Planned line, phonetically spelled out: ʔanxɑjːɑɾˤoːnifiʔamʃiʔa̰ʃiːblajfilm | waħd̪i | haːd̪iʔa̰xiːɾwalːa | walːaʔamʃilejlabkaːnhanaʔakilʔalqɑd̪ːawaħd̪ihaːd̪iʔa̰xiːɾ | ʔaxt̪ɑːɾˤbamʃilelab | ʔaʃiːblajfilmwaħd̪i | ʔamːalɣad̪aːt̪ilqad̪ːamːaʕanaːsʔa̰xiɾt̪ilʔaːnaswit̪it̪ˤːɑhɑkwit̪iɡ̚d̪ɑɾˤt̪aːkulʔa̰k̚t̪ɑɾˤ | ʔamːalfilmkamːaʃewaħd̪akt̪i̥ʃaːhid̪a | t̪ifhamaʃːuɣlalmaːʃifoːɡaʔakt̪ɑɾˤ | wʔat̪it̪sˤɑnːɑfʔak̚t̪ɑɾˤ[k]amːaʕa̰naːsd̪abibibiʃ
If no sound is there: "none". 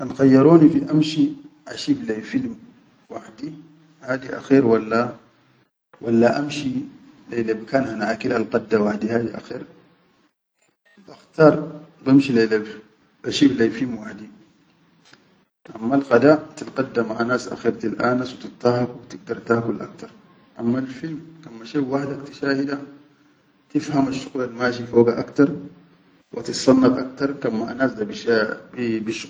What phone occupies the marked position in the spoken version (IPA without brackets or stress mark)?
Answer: k